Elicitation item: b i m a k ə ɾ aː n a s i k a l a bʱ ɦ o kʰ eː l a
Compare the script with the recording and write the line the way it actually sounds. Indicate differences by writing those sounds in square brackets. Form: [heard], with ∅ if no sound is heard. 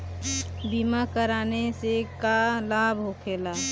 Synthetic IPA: b i m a k ə ɾ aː n [e] s [e] k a l a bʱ ɦ o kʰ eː l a